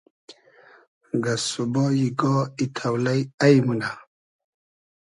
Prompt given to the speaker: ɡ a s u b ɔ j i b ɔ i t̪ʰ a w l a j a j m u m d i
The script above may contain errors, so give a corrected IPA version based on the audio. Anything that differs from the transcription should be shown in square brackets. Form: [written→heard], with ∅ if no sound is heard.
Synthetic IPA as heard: ɡ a s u b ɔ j i [b→ɡ] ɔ i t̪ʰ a w l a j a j m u [m→n] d [i→a]